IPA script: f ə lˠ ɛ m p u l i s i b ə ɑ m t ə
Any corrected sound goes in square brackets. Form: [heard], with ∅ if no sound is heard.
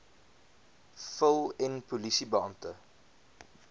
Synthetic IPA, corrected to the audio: f ə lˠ ɛ [n] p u l i s i b ə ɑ m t ə